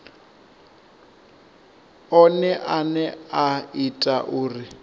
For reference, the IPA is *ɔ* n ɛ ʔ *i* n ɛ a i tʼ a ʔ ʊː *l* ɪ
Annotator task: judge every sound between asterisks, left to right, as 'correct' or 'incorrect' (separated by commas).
correct, incorrect, incorrect